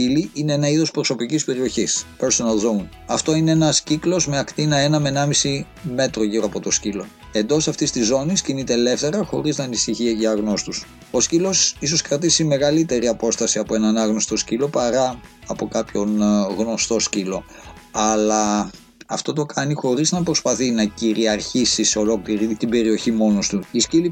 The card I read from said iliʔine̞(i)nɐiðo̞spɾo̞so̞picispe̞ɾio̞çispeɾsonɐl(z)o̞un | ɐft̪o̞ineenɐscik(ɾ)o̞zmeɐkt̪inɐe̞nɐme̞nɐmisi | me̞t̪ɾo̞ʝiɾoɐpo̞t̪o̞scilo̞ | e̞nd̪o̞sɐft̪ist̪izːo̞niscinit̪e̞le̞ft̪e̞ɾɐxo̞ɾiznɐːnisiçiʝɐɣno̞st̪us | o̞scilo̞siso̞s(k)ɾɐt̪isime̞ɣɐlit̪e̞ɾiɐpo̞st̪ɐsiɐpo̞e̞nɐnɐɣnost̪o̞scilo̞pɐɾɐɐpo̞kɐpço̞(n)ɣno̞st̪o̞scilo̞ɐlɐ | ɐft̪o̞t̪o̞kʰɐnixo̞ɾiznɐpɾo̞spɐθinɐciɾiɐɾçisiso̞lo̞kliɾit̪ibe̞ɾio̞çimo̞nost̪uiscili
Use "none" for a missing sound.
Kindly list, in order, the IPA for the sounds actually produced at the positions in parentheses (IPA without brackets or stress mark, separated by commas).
e, z, l, k, n